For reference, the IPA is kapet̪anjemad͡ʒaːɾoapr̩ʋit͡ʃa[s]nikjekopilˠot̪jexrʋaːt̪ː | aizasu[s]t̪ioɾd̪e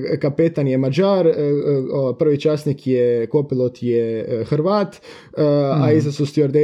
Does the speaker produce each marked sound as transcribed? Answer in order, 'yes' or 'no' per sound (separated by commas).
yes, yes